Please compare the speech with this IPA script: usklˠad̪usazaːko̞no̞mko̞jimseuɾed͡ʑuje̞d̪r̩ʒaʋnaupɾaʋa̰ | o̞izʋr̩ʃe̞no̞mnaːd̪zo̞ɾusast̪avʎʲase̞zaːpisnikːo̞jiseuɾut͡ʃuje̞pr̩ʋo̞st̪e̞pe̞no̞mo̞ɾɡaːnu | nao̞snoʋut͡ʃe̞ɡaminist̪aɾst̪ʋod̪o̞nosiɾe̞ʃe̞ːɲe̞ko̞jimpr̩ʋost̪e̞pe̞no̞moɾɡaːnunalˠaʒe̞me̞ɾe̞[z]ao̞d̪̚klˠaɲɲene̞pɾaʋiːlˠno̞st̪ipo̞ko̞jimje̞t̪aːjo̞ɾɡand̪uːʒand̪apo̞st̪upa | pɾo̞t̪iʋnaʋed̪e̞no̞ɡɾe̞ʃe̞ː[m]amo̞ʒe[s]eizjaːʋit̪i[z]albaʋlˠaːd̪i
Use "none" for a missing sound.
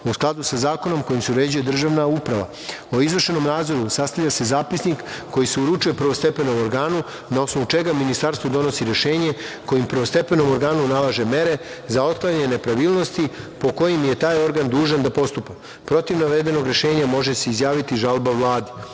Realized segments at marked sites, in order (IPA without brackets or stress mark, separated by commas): z, ɲ, s, ʒ